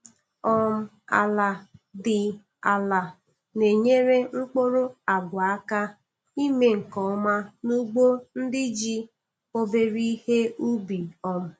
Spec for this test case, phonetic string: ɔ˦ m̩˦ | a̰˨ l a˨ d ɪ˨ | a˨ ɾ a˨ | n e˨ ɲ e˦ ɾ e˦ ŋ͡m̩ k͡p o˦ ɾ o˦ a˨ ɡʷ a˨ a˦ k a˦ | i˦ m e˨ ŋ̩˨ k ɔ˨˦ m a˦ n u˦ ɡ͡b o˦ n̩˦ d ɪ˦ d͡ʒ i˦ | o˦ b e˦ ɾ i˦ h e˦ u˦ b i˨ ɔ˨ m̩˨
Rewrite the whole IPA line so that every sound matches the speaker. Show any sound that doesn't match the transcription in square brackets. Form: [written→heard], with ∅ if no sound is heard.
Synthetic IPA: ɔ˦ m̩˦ | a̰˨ l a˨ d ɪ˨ | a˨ [ɾ→l] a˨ | n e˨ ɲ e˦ ɾ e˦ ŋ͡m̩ k͡p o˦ ɾ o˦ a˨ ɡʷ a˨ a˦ k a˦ | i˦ m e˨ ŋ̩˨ k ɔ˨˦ m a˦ n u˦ ɡ͡b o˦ n̩˦ d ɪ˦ d͡ʒ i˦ | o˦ b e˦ ɾ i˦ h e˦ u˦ b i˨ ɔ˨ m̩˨